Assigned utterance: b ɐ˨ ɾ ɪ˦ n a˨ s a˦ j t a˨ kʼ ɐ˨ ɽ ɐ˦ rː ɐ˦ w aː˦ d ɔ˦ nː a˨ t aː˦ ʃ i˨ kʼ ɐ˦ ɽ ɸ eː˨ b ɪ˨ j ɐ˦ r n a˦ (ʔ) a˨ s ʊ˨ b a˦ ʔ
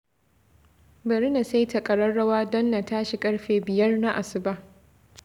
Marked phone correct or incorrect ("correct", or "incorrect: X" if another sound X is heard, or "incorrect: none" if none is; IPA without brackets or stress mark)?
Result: correct